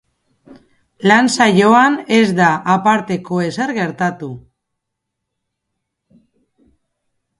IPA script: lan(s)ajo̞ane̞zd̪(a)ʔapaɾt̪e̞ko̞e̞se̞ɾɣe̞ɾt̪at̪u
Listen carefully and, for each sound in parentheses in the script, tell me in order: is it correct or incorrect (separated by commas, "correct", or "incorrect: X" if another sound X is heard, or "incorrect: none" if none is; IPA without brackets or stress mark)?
correct, correct